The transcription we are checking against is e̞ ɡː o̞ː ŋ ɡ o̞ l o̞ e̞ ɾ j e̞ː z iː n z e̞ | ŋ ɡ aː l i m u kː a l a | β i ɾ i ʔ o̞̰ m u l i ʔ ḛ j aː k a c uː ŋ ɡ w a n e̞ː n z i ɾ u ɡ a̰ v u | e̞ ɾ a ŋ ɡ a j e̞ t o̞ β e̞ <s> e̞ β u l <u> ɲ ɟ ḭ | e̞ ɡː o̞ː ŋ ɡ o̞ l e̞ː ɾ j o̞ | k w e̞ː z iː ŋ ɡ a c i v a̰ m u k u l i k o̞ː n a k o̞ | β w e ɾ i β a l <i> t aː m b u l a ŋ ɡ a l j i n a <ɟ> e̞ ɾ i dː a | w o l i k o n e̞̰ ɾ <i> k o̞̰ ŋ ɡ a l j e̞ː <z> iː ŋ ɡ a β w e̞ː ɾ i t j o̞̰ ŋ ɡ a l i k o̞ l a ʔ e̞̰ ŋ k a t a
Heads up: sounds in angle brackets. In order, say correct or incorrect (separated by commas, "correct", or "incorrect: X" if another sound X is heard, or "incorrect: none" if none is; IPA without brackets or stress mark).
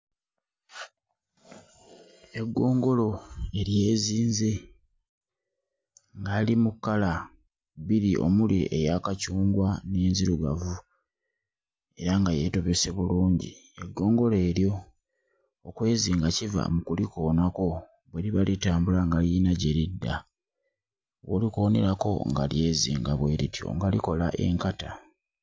correct, incorrect: uː, correct, correct, incorrect: a, correct